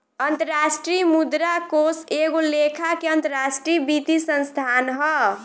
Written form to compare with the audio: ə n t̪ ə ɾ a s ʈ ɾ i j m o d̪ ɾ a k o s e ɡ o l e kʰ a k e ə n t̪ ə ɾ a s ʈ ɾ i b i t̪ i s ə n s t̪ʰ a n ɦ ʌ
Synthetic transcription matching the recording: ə n t̪ ə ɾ a s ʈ ɾ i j m u d̪ ɾ a k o s e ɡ o l e kʰ a k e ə n t̪ ə ɾ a s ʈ ɾ i b i t̪ i s ə n s t̪ʰ a n ɦ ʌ